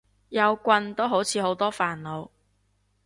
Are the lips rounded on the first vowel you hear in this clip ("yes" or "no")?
no